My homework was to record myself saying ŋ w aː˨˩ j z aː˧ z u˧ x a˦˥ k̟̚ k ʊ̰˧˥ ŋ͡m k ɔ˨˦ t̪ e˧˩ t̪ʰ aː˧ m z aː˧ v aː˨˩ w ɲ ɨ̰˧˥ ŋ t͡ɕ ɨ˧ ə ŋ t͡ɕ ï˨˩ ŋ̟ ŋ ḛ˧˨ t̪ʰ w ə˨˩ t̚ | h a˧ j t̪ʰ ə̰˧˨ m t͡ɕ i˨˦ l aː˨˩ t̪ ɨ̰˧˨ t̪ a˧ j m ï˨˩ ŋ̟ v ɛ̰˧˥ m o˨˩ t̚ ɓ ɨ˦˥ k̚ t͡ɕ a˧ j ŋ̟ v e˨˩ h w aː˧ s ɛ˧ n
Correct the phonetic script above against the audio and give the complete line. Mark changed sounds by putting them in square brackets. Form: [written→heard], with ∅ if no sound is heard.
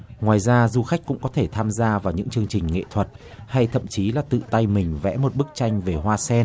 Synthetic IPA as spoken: ŋ w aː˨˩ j z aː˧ z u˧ x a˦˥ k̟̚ k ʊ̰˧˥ ŋ͡m k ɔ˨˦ [t̪→t̪ʰ] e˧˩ t̪ʰ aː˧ m z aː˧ v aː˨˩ w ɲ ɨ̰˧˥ ŋ t͡ɕ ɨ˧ ə ŋ t͡ɕ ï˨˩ ŋ̟ ŋ ḛ˧˨ t̪ʰ w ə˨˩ t̚ | h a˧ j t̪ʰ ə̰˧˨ m t͡ɕ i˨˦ l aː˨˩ t̪ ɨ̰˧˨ t̪ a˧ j m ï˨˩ ŋ̟ v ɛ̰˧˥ m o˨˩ t̚ ɓ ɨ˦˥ k̚ t͡ɕ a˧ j ŋ̟ v e˨˩ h w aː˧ s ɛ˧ n